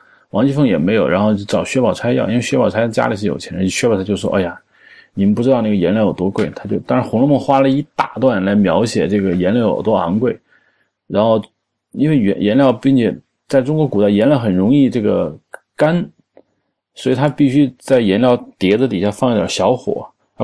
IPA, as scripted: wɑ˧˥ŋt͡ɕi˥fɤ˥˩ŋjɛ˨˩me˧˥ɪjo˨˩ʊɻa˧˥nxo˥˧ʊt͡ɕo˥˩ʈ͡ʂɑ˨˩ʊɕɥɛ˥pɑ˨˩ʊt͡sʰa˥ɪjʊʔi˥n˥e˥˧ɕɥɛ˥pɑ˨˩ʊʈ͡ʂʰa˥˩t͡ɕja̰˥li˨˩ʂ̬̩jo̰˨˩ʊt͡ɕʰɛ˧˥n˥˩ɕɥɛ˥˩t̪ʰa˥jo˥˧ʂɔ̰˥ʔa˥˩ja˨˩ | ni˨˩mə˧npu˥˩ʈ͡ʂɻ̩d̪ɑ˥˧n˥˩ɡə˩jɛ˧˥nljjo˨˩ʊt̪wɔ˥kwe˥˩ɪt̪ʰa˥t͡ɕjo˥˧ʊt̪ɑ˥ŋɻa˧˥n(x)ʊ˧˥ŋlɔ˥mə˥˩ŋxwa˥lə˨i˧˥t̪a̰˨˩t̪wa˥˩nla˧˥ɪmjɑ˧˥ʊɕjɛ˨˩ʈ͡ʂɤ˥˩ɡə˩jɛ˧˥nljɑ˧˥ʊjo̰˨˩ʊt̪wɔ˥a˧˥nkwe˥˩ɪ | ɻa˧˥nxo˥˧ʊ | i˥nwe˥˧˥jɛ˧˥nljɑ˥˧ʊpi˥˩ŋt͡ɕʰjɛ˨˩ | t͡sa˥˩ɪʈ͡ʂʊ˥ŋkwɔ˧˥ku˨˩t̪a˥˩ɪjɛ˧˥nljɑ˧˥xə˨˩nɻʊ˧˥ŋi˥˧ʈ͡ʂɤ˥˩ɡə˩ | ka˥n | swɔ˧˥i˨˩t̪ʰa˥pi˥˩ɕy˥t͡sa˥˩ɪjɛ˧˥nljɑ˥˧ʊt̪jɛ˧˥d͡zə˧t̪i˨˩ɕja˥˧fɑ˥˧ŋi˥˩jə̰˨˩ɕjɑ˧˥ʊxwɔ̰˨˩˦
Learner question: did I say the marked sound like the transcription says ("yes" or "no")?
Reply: yes